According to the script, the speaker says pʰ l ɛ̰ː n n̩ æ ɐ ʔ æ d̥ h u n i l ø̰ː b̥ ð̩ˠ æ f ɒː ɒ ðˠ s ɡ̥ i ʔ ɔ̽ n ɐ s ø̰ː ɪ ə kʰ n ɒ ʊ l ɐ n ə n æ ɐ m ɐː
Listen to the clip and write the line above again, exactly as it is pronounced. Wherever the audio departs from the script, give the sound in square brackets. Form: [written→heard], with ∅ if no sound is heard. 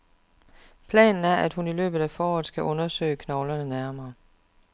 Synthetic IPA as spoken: pʰ l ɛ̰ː n n̩ æ ɐ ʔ æ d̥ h u n i l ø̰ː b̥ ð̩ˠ æ f ɒː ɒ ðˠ s ɡ̥ [i→æ] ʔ ɔ̽ n ɐ s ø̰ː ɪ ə kʰ n ɒ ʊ l ɐ n ə n æ ɐ m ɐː